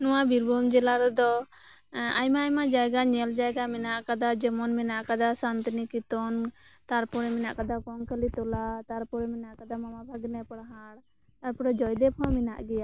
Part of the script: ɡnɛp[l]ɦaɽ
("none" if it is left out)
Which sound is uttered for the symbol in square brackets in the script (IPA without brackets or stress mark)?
ɽ